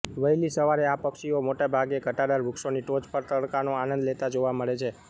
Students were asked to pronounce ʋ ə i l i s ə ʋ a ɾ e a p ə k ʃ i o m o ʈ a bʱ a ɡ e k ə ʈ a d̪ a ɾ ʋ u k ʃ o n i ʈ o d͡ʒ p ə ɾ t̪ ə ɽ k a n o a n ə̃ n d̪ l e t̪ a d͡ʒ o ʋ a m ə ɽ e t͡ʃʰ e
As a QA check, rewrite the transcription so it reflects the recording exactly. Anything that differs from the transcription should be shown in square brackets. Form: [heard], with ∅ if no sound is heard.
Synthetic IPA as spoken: ʋ ə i l i s ə ʋ a ɾ e a p ə k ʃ i o m o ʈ a bʱ a ɡ e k ə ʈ a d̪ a ɾ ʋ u k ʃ o n i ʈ o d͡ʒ p ə ɾ t̪ ə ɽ k a n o a n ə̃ n d̪ l e t̪ a d͡ʒ o ʋ a m ə [ɭ] e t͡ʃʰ e